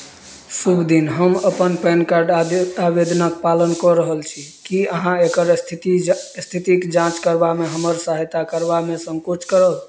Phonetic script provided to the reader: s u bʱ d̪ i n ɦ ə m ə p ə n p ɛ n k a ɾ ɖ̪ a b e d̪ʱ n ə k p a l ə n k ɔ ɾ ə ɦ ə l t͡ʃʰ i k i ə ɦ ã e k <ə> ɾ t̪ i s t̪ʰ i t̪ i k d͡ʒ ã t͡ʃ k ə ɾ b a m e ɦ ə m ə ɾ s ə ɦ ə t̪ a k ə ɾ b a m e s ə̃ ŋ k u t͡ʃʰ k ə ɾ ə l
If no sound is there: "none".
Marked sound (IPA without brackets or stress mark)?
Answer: ə